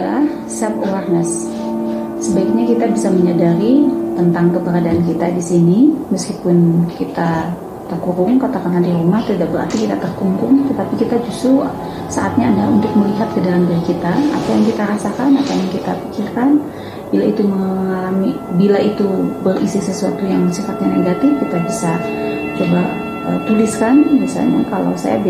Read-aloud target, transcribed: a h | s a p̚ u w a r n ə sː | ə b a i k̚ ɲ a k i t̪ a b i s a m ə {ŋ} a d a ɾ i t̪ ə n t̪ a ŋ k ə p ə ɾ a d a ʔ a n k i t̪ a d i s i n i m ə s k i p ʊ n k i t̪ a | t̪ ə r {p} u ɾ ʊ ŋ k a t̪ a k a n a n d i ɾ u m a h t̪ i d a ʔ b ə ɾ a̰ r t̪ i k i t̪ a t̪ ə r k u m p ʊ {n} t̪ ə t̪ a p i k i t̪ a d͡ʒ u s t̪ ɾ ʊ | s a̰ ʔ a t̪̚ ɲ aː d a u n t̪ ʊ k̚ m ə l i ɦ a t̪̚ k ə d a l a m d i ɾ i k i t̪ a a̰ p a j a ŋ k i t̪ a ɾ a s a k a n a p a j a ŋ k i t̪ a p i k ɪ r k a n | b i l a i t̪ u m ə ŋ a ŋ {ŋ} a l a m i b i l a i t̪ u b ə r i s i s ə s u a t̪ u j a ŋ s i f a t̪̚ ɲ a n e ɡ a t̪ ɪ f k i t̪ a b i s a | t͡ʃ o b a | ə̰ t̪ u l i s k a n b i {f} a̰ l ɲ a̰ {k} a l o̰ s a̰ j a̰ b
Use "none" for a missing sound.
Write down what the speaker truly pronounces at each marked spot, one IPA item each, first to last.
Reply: ɲ, k, ŋ, ŋ, s, k

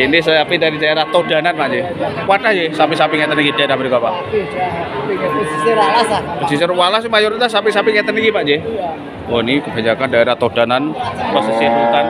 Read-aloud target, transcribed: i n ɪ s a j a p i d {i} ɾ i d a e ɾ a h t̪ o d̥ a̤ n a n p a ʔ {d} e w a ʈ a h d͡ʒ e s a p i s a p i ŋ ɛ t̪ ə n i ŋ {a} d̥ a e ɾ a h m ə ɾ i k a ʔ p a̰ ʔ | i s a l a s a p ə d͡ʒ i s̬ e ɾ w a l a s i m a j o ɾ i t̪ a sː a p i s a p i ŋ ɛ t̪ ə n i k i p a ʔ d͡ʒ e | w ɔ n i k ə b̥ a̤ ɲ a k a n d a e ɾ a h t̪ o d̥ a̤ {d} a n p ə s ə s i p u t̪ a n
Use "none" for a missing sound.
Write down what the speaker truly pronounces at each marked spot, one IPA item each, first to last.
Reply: a, d͡ʒ, i, n

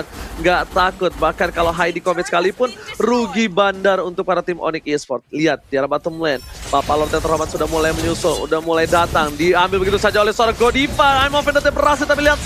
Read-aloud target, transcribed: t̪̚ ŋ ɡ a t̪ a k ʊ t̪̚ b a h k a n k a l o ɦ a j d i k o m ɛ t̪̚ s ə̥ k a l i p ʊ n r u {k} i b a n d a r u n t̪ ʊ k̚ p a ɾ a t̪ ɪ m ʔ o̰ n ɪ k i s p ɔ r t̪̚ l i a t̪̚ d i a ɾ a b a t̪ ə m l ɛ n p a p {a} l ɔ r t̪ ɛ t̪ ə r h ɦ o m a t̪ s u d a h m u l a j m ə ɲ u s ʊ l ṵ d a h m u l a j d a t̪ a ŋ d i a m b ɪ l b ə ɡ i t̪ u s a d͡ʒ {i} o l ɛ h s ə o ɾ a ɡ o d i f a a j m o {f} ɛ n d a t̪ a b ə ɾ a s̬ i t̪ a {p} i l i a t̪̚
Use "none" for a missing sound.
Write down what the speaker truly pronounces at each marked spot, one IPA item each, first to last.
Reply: ɡ, a, a, f, p

